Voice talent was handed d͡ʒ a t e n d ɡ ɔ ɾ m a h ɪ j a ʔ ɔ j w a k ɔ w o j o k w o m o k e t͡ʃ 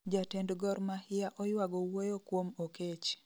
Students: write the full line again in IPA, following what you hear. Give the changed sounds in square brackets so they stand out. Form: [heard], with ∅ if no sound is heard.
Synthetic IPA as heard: d͡ʒ a t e n d ɡ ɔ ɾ m a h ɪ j a ʔ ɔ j w a [ɡ] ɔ w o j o k w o m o k e t͡ʃ